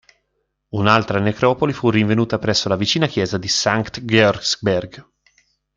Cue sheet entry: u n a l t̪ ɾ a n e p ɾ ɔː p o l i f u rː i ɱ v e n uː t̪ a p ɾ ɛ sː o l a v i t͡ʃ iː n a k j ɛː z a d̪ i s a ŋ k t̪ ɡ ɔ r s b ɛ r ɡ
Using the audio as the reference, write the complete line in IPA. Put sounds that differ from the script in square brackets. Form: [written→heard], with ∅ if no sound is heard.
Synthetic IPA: u n a l t̪ ɾ a n e [p→k] ɾ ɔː p o l i f u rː i ɱ v e n uː t̪ a p ɾ ɛ sː o l a v i t͡ʃ iː n a k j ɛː z a d̪ i s a ŋ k t̪ ɡ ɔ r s b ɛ r ɡ